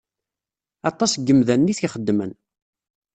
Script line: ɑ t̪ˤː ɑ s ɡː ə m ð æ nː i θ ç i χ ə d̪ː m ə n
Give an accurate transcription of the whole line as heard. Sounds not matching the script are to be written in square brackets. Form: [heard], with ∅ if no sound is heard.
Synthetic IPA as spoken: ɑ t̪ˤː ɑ s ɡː ə m ð æ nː i θ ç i χ ə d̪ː m ə n